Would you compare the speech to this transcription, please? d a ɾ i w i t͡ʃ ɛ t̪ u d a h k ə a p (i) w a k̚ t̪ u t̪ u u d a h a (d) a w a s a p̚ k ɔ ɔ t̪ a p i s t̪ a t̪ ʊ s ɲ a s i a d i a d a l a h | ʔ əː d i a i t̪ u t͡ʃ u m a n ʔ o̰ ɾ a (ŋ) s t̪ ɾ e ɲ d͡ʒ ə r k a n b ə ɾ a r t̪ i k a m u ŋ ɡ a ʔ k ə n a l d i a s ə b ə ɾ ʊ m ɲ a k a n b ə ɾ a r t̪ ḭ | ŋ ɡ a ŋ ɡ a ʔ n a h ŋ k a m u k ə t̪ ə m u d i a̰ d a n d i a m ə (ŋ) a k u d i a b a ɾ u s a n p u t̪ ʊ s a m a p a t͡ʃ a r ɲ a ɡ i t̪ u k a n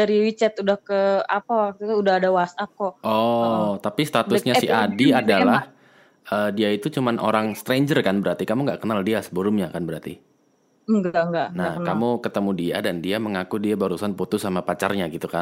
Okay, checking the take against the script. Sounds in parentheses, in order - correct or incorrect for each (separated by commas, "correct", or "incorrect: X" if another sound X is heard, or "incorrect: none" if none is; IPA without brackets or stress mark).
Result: incorrect: a, correct, correct, correct